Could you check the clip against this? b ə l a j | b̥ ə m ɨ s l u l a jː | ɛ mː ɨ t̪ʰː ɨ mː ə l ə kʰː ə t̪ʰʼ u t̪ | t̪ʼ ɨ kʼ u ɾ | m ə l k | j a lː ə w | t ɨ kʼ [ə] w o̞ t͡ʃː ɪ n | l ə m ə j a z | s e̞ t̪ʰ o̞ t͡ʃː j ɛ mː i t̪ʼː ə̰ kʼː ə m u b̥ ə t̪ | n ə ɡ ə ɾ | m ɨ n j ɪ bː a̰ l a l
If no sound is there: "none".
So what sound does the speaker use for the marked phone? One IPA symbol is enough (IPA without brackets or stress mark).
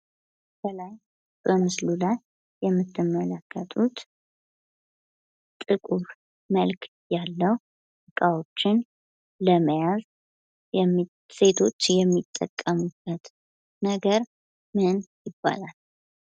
a